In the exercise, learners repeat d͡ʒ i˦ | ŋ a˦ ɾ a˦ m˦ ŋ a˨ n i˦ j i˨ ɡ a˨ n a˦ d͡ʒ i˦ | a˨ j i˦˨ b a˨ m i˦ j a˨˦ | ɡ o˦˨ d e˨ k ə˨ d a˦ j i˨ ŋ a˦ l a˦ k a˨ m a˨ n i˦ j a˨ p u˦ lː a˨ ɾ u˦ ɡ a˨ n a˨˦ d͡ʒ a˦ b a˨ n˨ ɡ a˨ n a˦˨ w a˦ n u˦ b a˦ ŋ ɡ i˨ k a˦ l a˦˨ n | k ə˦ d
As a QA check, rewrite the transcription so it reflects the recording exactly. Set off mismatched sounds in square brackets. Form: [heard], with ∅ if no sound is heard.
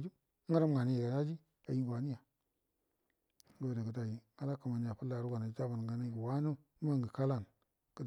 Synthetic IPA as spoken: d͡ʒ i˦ | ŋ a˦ ɾ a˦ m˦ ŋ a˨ n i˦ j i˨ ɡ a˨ n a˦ d͡ʒ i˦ | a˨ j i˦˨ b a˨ [n] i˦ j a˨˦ | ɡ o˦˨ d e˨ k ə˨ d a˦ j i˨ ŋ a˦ l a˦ k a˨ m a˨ n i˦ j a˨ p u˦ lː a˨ ɾ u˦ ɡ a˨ n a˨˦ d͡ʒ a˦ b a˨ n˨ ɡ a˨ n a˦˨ w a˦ n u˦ [m] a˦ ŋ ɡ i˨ k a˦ l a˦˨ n | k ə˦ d

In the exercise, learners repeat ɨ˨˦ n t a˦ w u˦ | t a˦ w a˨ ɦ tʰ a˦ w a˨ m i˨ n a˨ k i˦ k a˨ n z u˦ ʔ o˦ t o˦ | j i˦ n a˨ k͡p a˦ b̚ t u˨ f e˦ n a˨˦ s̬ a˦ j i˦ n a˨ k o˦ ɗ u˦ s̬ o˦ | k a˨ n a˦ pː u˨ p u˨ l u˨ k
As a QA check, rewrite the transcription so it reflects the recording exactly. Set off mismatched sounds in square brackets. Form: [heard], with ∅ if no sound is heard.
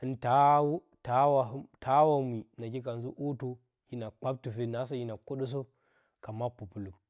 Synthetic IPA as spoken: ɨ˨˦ n t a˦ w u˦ | t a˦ w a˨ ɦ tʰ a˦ w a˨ m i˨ n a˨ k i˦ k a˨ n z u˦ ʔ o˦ t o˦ | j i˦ n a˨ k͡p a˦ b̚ t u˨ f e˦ n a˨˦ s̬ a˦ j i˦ n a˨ k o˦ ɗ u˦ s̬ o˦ | k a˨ [m] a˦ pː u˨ p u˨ l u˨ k

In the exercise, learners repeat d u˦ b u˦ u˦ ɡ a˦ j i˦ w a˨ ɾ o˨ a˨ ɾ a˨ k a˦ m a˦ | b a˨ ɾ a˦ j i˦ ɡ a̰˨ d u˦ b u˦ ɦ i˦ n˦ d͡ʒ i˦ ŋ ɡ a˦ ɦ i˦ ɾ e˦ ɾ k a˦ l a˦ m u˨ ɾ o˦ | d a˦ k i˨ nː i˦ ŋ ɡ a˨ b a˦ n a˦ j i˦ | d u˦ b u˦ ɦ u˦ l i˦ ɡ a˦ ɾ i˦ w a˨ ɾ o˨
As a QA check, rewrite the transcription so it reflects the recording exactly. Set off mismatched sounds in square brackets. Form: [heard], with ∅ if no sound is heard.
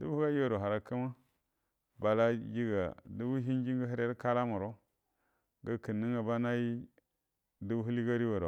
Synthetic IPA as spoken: d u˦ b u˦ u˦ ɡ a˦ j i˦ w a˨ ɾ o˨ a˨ ɾ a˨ k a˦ m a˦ | b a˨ [l] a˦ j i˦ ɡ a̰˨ d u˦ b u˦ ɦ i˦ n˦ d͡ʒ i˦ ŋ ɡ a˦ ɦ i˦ ɾ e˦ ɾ k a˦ l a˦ m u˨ ɾ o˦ | [ɡ] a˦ k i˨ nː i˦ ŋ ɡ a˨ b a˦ n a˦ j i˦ | d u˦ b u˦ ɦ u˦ l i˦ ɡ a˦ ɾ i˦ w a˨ ɾ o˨

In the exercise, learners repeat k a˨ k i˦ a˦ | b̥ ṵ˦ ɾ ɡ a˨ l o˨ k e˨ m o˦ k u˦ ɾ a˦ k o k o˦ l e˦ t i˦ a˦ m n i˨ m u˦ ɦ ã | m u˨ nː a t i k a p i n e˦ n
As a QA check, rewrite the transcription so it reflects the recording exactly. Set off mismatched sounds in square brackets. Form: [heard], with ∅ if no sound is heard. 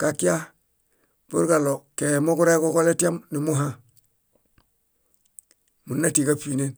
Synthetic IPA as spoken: k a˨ k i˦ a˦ | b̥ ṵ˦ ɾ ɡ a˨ l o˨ k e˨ m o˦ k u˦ ɾ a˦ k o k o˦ l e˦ t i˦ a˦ m n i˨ m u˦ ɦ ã | m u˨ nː a t i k a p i n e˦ n

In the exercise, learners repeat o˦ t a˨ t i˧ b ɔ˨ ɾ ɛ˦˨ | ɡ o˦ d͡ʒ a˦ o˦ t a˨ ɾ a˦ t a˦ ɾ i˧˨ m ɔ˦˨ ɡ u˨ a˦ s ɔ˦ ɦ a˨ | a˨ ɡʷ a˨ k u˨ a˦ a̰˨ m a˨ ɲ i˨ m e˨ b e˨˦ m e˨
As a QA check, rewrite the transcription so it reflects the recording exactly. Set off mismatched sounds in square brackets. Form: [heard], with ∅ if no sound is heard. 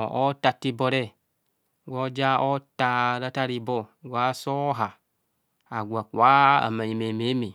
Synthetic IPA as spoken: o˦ t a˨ t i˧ b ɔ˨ ɾ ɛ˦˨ | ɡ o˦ d͡ʒ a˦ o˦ t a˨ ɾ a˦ t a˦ ɾ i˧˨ [b] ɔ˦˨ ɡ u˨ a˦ s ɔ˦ ɦ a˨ | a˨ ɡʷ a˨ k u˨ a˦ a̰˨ m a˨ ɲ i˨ m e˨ [m] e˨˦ m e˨

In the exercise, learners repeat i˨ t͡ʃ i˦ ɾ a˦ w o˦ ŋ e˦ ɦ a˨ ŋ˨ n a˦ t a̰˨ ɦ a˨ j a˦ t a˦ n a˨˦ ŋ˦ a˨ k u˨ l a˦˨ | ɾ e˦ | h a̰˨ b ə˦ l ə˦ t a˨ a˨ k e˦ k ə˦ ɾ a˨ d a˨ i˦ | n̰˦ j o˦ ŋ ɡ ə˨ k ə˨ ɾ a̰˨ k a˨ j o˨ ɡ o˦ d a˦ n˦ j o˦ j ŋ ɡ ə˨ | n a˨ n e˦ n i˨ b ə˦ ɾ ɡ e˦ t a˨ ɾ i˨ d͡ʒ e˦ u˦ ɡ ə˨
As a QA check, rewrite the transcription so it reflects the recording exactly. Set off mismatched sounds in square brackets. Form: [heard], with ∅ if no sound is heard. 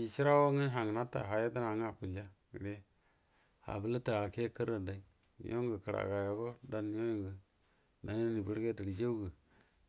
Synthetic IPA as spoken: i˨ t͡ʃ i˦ ɾ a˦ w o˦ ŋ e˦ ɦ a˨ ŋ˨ n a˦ t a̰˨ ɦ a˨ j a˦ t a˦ n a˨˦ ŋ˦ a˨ k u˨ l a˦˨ | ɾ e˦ | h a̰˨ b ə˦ l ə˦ t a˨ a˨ k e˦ k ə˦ ɾ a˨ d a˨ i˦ | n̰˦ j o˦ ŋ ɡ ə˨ k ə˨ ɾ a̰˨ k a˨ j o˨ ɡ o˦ d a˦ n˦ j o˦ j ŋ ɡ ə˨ | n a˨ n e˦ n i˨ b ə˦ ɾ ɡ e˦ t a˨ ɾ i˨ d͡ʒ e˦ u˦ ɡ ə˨

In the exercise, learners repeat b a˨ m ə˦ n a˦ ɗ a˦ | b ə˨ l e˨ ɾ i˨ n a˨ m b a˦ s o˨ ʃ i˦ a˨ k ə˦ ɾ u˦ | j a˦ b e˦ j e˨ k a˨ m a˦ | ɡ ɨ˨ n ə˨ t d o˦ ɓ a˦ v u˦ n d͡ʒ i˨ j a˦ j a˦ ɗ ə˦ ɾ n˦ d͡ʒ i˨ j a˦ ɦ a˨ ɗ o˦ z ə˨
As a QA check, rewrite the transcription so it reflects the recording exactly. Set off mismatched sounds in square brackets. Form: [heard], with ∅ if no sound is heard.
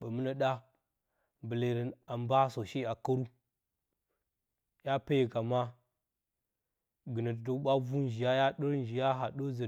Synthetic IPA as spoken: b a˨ m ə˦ n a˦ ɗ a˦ | b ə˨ l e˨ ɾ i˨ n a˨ m b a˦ s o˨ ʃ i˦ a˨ k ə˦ ɾ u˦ | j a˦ [p] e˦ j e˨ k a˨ m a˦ | ɡ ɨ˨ n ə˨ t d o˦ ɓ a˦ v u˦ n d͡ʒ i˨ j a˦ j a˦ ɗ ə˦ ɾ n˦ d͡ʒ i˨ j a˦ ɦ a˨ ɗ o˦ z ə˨

